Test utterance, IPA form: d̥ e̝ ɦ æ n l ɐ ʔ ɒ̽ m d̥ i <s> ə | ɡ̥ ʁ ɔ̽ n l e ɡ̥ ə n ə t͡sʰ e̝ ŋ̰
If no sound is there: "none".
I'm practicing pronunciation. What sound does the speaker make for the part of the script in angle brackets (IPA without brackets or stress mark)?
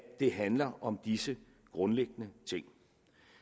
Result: s